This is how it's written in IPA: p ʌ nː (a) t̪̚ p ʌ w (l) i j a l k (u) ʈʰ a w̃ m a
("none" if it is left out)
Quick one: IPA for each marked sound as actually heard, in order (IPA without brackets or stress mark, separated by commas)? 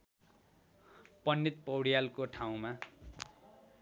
i, ɽ, o